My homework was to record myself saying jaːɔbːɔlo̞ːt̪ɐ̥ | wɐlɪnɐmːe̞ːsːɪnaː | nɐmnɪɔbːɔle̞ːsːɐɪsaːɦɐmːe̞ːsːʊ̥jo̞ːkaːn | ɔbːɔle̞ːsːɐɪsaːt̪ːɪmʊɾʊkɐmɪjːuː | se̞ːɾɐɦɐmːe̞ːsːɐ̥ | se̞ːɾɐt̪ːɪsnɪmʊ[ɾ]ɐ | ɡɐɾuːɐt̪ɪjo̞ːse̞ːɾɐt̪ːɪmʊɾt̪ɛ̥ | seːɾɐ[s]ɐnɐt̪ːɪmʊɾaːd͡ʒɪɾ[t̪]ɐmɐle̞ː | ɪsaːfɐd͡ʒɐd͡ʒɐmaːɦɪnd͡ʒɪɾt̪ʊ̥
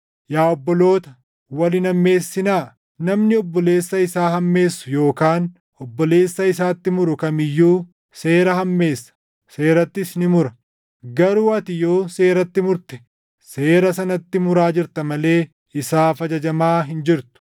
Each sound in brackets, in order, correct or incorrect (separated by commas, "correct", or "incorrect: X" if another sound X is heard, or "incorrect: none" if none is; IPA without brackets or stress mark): correct, correct, correct